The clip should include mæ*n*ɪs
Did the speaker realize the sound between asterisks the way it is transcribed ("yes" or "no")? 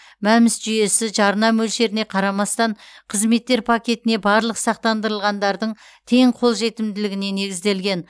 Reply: no